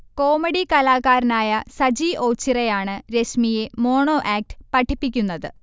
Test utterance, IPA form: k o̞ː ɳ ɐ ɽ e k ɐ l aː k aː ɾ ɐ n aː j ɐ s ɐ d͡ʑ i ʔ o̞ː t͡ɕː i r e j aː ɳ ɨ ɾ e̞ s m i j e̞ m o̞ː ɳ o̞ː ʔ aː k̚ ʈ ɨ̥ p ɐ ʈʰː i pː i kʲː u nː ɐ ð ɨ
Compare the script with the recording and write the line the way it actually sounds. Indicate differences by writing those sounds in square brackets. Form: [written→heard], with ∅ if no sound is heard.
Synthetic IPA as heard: k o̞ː [ɳ→m] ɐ ɽ [e→i] k ɐ l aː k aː ɾ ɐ n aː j ɐ s ɐ d͡ʑ i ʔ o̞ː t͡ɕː i r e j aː ɳ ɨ ɾ e̞ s m i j e̞ m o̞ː ɳ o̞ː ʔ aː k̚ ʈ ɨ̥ p ɐ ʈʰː i pː i kʲː u nː ɐ ð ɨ